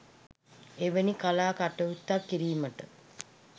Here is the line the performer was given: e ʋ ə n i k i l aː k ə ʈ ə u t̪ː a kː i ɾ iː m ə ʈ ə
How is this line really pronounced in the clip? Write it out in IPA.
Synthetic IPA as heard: e ʋ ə n i k a l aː k a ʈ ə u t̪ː a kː i ɾ iː m ə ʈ ə